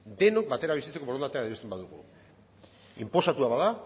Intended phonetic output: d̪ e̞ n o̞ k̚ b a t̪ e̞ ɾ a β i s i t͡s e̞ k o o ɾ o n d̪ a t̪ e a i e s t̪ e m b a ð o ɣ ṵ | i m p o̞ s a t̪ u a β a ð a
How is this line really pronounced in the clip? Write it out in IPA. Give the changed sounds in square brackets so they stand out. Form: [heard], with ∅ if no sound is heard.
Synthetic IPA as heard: d̪ e̞ n o̞ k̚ b a t̪ e̞ ɾ a β i s i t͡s e̞ k o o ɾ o n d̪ a t̪ e a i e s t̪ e m b a ð [u] ɣ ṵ | i m p o̞ s a t̪ u a β a ð a